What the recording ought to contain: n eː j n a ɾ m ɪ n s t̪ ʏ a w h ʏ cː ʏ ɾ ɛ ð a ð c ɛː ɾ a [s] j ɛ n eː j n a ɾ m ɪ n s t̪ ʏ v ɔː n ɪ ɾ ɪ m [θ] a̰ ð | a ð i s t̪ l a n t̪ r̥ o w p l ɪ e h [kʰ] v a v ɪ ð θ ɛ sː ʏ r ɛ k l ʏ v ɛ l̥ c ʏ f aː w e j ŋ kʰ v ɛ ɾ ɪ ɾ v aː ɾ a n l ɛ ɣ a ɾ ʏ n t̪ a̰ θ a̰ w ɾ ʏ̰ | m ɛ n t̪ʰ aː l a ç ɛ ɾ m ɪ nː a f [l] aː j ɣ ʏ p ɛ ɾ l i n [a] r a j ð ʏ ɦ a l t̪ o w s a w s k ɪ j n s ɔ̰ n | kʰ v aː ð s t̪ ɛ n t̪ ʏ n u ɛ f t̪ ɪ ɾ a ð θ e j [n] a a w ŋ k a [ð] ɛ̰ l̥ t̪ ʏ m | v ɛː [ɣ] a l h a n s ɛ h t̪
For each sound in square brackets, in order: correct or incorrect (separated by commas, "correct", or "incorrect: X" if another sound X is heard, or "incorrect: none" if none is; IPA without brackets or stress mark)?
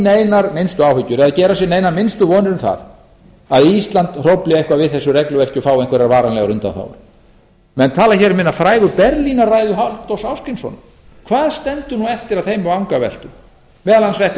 correct, correct, incorrect: k, incorrect: ɾ, correct, incorrect: m, incorrect: v, incorrect: ð